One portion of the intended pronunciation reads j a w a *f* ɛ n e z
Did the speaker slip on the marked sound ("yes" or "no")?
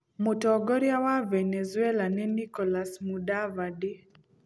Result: yes